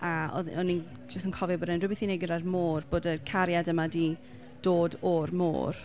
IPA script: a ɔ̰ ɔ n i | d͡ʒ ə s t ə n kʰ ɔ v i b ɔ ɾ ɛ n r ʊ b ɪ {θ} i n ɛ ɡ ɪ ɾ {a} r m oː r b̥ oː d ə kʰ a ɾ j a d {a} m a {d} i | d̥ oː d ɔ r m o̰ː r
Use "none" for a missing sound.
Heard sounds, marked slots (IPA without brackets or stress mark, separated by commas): θ, a, ə, d